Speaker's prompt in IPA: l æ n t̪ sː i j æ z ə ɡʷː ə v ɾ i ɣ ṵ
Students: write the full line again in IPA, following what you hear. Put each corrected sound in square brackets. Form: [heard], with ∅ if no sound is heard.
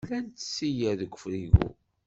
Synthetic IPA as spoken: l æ n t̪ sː i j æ [ð] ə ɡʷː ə [f] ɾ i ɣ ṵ